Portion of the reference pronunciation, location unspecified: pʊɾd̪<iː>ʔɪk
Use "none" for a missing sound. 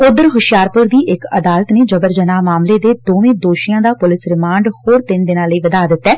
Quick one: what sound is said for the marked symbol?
iː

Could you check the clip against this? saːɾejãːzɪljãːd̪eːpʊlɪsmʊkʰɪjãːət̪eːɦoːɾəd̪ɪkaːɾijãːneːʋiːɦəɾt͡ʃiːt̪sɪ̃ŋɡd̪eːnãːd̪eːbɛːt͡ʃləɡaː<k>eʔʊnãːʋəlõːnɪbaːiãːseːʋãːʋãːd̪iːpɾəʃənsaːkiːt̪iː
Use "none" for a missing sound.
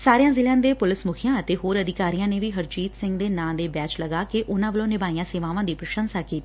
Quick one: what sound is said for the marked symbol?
k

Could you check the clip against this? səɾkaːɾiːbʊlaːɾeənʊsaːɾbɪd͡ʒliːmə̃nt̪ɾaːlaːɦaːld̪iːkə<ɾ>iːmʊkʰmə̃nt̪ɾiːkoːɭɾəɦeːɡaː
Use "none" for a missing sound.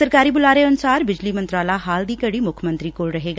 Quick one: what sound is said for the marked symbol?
ɽ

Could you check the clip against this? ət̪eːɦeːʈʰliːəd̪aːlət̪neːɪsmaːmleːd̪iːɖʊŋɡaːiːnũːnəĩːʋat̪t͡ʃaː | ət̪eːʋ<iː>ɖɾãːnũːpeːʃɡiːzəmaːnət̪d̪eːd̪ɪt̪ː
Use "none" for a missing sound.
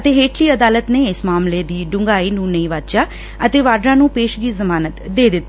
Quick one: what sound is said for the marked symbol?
aː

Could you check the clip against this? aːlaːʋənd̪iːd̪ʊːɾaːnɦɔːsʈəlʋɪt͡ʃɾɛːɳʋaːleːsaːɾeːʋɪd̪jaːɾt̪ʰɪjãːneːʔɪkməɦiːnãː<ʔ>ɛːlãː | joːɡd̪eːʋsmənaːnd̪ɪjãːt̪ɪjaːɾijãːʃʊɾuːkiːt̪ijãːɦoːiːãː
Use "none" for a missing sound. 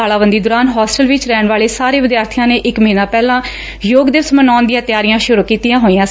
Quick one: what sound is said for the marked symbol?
p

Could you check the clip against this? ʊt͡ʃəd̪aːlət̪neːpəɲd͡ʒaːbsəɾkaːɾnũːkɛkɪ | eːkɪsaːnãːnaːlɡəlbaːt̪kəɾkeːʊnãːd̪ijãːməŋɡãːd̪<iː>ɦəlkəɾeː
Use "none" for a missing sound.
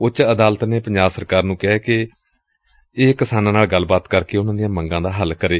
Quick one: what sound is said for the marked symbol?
aː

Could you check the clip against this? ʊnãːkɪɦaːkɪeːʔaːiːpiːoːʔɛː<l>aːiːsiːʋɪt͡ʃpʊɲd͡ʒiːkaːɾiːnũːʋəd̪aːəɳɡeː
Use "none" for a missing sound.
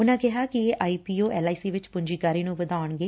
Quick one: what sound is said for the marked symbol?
l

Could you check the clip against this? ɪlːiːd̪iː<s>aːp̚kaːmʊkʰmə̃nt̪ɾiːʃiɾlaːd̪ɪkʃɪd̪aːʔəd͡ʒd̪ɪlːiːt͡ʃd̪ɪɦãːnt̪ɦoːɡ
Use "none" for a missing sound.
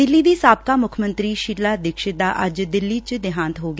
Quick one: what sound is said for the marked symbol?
s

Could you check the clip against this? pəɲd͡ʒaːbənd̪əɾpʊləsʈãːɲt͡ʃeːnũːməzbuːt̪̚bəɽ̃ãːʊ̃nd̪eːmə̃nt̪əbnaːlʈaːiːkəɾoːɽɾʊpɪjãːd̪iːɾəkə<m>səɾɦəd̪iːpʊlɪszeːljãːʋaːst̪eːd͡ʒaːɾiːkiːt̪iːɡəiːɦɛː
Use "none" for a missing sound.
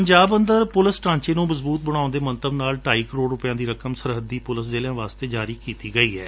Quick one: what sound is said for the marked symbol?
m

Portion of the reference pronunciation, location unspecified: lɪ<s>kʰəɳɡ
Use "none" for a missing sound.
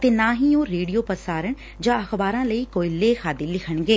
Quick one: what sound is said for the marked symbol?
none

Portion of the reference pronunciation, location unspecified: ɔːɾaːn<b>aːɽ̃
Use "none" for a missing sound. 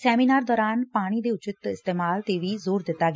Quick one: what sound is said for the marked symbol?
p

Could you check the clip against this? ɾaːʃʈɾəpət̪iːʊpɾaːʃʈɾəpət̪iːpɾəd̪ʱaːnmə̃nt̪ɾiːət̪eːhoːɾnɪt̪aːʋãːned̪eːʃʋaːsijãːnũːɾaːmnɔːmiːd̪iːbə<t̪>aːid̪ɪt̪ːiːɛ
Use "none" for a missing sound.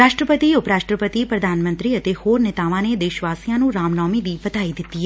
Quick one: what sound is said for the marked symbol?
t̪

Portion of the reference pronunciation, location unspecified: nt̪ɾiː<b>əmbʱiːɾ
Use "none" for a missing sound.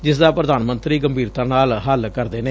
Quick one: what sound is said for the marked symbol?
ɡ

